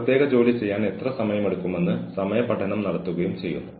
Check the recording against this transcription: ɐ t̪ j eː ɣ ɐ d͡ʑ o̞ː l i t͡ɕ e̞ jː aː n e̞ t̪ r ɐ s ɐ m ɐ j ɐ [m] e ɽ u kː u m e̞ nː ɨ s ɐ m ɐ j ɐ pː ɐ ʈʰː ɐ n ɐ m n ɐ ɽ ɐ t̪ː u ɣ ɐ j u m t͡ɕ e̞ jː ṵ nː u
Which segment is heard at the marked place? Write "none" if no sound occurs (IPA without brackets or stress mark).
m